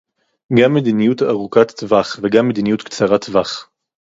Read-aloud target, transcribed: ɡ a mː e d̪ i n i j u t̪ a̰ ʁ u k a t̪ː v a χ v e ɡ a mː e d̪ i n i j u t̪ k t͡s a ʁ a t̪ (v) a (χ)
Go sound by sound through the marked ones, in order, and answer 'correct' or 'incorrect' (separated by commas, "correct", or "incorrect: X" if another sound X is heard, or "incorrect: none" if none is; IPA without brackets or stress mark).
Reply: correct, correct